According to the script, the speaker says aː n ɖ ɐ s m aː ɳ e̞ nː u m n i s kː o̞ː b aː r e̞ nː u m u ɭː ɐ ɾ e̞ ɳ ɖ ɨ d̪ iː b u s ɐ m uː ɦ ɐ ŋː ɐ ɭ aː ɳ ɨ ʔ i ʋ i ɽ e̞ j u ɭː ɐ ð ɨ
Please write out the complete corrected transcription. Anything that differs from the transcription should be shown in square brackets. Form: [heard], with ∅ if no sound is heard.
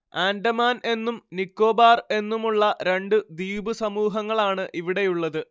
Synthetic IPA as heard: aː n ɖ ɐ [∅] m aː [n] e̞ nː u m n i [∅] kː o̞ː b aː r e̞ nː u m u ɭː ɐ ɾ e̞ ɳ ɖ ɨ d̪ iː b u s ɐ m uː ɦ ɐ ŋː ɐ ɭ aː ɳ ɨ ʔ i ʋ i ɽ e̞ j u ɭː ɐ ð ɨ